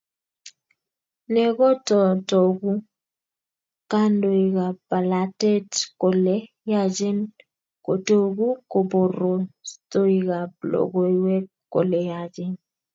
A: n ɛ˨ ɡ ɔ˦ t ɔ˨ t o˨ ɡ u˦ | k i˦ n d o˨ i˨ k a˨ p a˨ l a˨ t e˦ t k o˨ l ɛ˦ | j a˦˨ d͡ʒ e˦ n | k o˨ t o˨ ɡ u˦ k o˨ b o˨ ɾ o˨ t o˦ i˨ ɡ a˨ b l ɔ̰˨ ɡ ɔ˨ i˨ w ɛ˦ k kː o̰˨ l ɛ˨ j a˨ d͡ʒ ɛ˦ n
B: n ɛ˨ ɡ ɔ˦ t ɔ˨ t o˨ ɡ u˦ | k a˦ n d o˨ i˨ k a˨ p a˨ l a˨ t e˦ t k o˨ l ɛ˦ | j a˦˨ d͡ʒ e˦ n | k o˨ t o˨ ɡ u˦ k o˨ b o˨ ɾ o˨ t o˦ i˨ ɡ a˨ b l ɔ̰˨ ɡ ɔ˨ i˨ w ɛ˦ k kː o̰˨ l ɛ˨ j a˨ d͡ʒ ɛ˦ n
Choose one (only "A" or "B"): B